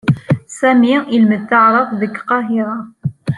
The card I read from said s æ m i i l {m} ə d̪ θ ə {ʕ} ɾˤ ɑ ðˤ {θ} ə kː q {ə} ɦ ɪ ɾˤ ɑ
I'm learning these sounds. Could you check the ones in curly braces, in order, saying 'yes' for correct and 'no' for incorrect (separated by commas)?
yes, yes, no, no